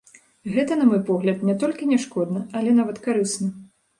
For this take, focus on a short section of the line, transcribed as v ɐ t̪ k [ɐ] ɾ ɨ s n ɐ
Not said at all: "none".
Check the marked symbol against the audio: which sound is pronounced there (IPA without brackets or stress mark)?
a